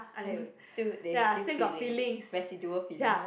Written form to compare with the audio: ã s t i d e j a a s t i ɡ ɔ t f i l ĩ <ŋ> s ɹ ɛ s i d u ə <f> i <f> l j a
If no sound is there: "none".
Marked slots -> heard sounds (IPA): ŋ, f, none

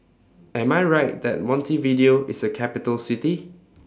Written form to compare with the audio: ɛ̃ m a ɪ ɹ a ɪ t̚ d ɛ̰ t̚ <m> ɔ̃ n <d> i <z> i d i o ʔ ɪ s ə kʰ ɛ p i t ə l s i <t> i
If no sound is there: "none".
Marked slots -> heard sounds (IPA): m, t, v, t

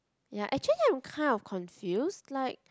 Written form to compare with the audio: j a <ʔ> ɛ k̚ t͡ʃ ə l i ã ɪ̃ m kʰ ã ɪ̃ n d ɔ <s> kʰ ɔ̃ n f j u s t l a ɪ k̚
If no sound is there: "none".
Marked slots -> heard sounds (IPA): ʔ, f

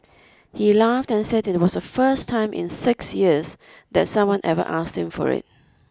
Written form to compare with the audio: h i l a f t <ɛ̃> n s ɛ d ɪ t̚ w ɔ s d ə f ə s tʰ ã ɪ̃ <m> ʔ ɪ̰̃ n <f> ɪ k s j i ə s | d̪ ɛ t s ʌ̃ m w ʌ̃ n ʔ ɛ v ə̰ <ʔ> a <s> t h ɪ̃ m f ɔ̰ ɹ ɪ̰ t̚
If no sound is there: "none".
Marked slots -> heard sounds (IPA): ɛ̃, m, s, ʔ, s

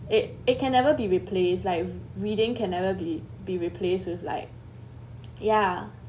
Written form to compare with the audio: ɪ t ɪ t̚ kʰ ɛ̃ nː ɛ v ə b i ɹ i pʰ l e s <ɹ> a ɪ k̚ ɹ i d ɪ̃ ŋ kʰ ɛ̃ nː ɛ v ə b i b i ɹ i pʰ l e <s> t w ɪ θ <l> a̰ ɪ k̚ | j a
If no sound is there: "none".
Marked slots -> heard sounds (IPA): l, s, l

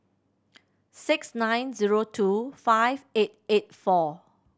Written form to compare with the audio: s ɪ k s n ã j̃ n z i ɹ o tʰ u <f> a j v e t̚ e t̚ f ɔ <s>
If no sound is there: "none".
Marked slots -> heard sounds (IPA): f, none

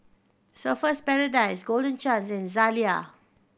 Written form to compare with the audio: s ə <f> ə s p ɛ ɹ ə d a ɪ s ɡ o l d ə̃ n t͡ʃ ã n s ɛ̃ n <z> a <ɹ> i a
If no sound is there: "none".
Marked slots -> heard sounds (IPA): f, z, l

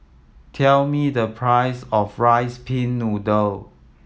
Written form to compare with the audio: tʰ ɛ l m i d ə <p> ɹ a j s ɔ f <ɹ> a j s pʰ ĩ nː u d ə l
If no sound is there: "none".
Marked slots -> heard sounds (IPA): pʰ, ɹ

